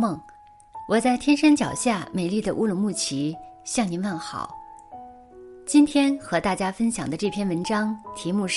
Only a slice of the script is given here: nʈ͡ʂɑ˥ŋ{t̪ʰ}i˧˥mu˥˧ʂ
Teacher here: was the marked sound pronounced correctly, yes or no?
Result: yes